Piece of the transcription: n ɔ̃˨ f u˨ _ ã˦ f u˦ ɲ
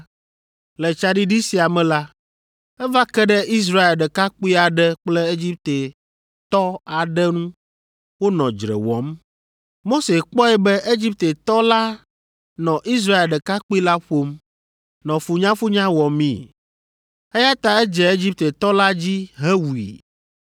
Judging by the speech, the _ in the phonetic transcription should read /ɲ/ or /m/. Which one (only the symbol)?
ɲ